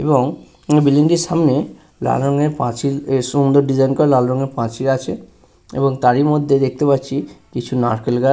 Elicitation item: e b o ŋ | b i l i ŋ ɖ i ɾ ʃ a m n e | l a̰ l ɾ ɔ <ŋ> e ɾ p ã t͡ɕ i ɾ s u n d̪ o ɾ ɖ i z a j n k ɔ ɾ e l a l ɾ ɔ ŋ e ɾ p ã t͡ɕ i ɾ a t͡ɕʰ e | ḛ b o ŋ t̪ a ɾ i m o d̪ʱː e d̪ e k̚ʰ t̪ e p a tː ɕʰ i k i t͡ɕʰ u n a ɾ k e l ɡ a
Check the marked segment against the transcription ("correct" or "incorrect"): correct